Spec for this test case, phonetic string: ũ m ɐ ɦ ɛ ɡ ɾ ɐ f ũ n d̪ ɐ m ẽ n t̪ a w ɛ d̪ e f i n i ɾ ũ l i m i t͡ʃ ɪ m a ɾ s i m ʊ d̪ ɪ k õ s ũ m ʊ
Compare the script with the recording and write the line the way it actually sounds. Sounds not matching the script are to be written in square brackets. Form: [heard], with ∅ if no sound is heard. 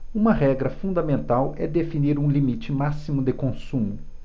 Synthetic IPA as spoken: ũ m ɐ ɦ ɛ ɡ ɾ ɐ f ũ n d̪ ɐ m ẽ n t̪ a w ɛ d̪ e f i n i ɾ ũ l i m i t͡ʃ ɪ m a [∅] s i m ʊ d̪ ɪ k õ s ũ m ʊ